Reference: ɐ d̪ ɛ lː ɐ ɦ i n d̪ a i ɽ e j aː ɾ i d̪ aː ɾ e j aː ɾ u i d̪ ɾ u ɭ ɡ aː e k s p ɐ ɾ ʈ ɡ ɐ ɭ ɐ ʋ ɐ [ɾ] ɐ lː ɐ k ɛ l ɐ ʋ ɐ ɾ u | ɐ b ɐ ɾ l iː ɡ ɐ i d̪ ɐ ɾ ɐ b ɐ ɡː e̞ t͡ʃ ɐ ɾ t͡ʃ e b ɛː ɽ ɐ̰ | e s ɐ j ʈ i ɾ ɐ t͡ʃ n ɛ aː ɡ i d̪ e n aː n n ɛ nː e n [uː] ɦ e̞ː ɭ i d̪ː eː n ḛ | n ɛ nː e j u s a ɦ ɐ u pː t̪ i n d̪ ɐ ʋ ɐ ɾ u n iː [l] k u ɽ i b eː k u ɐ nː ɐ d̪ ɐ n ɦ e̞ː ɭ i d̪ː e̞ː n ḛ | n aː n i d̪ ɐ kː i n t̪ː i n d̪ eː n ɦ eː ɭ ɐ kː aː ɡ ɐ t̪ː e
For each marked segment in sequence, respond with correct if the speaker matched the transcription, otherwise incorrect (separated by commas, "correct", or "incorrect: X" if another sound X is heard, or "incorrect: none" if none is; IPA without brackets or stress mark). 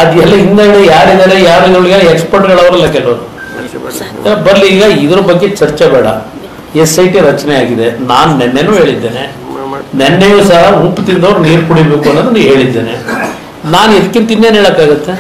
correct, correct, incorrect: ɾ